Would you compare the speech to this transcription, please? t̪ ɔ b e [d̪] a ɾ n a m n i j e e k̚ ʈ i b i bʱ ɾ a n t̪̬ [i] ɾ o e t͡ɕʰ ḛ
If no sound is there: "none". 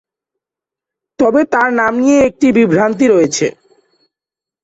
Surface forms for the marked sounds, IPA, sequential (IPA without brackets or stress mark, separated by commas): t̪, i